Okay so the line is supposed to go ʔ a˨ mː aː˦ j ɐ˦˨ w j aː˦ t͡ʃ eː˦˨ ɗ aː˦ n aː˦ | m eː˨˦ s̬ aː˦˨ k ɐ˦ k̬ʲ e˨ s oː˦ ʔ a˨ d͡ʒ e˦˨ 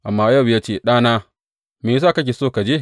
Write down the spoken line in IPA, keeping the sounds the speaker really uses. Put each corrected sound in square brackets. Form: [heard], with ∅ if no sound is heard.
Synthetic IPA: ʔ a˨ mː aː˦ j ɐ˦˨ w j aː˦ t͡ʃ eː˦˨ ɗ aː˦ n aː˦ | m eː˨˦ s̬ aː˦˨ k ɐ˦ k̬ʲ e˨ s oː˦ [k] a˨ d͡ʒ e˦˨

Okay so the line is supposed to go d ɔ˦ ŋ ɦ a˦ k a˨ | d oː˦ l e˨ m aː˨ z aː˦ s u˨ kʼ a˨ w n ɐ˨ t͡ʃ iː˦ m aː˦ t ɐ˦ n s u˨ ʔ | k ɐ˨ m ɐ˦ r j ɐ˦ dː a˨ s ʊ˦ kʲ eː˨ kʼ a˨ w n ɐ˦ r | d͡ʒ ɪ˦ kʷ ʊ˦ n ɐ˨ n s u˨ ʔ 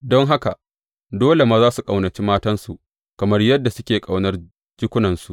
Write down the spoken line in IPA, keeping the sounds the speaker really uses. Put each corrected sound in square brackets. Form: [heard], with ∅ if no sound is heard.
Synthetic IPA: d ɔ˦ ŋ ɦ a˦ k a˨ | d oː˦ l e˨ m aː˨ z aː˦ s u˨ kʼ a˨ w n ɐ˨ t͡ʃ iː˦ m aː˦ t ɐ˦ n s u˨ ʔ | k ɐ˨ m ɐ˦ r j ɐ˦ dː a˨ s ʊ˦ kʲ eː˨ kʼ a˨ w n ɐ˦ r | d͡ʒ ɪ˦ kʷ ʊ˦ n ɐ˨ n s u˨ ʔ

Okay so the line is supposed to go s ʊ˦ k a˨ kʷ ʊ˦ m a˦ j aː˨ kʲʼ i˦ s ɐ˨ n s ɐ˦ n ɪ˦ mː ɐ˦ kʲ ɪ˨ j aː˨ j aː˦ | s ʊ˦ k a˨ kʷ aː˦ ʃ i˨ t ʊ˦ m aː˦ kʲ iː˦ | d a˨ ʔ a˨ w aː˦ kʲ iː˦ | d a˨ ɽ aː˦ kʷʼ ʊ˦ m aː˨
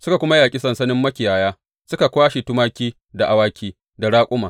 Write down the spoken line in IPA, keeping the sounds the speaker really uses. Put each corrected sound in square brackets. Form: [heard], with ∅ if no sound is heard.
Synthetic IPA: s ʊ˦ k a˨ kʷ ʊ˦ m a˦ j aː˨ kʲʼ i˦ s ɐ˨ n s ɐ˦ n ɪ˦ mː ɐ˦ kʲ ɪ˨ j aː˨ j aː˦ | s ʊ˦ k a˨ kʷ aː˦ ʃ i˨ t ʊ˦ m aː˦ kʲ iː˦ | d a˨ ʔ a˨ w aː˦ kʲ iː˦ | d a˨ ɽ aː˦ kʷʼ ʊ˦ m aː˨

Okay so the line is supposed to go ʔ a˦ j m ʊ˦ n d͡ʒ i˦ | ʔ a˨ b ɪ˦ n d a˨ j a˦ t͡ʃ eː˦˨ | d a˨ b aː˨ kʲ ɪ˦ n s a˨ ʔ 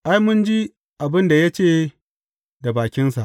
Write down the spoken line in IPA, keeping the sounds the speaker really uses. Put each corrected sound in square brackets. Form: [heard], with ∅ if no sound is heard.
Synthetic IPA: ʔ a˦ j m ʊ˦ n d͡ʒ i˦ | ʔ a˨ b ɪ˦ n d a˨ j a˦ t͡ʃ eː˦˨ | d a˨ b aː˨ kʲ ɪ˦ n s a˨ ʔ

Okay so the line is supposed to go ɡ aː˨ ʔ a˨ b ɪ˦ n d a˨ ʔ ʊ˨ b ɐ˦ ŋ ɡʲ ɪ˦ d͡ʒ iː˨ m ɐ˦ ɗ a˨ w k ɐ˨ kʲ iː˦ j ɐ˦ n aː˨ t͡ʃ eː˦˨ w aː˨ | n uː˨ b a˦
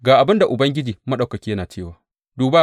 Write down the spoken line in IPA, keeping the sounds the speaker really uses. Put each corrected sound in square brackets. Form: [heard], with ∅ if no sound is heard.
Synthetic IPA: ɡ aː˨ ʔ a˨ b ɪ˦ n d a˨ ʔ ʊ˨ b ɐ˦ ŋ ɡʲ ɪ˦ d͡ʒ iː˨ m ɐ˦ ɗ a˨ w k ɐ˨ kʲ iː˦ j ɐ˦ n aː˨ t͡ʃ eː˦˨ w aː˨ | [d] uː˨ b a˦

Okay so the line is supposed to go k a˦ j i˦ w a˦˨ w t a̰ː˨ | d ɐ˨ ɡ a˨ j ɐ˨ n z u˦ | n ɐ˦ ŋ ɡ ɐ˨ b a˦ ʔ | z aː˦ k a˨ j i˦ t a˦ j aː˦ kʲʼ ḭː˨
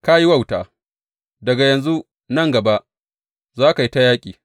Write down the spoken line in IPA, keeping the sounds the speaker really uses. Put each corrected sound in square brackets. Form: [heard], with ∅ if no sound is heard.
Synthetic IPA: k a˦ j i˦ w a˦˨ w t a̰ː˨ | d ɐ˨ ɡ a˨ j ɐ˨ n z u˦ | n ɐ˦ ŋ ɡ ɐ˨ b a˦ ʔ | z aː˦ k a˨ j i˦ t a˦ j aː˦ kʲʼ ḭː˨

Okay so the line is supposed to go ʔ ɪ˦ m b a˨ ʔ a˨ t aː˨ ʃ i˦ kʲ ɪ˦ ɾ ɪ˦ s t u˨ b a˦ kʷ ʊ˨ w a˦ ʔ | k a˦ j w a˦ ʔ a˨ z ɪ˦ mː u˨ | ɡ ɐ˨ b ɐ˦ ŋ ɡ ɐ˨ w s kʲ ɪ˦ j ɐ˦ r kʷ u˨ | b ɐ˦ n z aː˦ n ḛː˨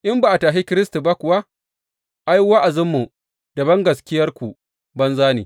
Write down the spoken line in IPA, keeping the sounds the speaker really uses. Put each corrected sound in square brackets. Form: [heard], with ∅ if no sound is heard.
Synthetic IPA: ʔ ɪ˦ m b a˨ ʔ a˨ t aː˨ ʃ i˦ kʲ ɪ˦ ɾ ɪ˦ s t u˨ b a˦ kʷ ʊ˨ w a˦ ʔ | [ʔ] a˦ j w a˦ ʔ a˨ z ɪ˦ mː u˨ | [d] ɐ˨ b ɐ˦ ŋ ɡ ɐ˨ [∅] s kʲ ɪ˦ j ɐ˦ r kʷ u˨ | b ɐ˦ n z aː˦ n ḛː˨

